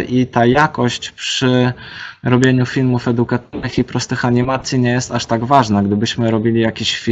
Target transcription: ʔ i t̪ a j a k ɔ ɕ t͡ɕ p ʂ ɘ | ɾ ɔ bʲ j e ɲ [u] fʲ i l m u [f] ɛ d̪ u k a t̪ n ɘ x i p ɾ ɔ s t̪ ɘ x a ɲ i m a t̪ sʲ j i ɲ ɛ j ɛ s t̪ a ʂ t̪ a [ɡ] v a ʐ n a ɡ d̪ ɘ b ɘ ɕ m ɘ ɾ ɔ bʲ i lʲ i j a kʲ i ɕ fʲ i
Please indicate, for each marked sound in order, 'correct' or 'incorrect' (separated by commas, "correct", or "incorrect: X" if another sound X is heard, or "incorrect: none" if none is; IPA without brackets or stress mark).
correct, correct, correct